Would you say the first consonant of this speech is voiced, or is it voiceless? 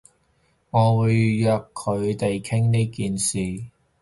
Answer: voiced